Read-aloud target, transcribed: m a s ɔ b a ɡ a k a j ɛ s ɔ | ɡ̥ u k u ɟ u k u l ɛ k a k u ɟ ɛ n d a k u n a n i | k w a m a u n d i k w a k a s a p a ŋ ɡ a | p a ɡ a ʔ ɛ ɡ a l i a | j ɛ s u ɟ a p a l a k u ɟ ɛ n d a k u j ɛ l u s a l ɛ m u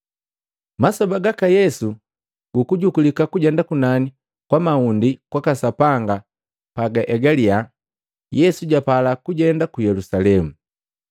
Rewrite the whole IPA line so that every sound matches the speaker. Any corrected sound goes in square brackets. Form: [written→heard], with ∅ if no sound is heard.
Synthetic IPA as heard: m a s ɔ b a ɡ a k a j ɛ s [ɔ→u] | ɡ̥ u k u ɟ u k u l [ɛ→i] k a k u ɟ ɛ n d a k u n a n i | k w a m a u n d i k w a k a s a p a ŋ ɡ a | p a ɡ a ʔ ɛ ɡ a l i a | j ɛ s u ɟ a p a l a k u ɟ ɛ n d a k u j ɛ l u s a l ɛ m u

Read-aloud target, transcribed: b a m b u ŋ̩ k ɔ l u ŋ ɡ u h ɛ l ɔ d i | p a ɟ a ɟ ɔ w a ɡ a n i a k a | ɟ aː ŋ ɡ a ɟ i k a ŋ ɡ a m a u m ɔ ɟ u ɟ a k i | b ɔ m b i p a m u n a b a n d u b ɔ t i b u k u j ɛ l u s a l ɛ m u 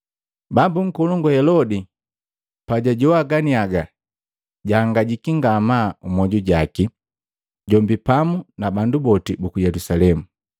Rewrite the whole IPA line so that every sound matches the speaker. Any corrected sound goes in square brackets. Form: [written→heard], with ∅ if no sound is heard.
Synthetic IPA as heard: b a m b u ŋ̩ k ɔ l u ŋ ɡ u h ɛ l ɔ d i | p a ɟ a ɟ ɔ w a ɡ a n i a [k→ɡ] a | ɟ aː ŋ ɡ a ɟ i k [a→i] ŋ ɡ a m a u m ɔ ɟ u ɟ a k i | [b→ɟ] ɔ m b i p a m u n a b a n d u b ɔ t i b u k u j ɛ l u s a l ɛ m u

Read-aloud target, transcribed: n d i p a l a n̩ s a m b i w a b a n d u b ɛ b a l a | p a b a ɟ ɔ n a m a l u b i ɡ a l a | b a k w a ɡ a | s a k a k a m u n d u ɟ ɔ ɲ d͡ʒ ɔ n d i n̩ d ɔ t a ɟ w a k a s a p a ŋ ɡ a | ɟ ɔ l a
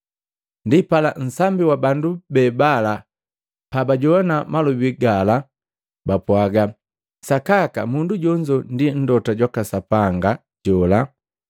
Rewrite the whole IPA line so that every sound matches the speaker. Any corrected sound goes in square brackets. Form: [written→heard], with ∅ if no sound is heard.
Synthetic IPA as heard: n d i p a l a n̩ s a m b i w a b a n d u b ɛ b a l a | p a b a ɟ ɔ n a m a l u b i ɡ a l a | b a [k→p] w a ɡ a | s a k a k a m u n d u ɟ ɔ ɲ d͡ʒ ɔ n d i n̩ d ɔ t a ɟ w a k a s a p a ŋ ɡ a | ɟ ɔ l a

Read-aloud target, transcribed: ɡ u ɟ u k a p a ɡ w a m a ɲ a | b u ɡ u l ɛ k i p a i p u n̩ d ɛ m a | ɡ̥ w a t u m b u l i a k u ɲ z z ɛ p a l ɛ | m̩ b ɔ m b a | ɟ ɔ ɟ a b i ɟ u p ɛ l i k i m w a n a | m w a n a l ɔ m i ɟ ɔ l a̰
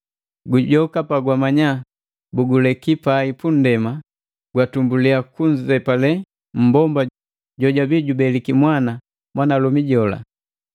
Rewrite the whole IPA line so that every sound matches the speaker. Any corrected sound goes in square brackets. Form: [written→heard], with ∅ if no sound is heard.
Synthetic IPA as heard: ɡ u ɟ [u→ɔ] k a p a ɡ w a m a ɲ a | b u ɡ u l ɛ k i p a i p u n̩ d ɛ m a | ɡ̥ w a t u m b u l i a k u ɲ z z ɛ p a l ɛ | m̩ b ɔ m b a | ɟ ɔ ɟ a b i ɟ u [p→b] ɛ l i k i m w a n a | m w a n a l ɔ m i ɟ ɔ l a̰

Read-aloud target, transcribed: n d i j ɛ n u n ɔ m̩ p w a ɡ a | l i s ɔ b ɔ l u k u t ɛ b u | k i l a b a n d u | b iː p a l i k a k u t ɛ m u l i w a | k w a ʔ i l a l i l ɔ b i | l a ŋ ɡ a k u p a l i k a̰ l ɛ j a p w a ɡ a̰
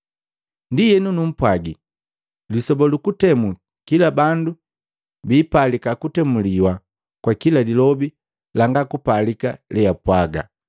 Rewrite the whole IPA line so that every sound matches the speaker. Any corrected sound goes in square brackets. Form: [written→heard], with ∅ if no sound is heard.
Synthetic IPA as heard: n d i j ɛ n u n [ɔ→u] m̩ p w a ɡ [a→i] | l i s ɔ b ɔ l u k u t ɛ [b→m] u | k i l a b a n d u | b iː p a l i k a k u t ɛ m u l i w a | k w a [ʔ→k] i l a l i l ɔ b i | l a ŋ ɡ a k u p a l i k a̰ l ɛ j a p w a ɡ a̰

